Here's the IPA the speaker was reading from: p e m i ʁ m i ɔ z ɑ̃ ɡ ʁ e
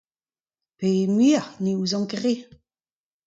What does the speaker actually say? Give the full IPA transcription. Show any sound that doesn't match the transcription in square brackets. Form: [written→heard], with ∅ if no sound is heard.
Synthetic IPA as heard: p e m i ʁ [m→n] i [ɔ→u] z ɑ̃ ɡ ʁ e